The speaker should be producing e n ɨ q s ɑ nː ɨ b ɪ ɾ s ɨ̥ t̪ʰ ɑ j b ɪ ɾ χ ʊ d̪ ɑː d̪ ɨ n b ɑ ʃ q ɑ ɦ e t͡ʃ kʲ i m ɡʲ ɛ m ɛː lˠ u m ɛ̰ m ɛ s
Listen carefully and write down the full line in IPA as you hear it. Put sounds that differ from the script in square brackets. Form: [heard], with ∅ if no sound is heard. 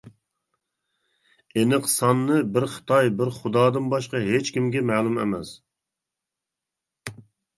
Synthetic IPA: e n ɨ q s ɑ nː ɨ b ɪ ɾ [χ] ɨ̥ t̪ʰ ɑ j b ɪ ɾ χ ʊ d̪ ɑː d̪ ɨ n b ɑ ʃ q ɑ ɦ e t͡ʃ kʲ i m ɡʲ ɛ m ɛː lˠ u m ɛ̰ m ɛ s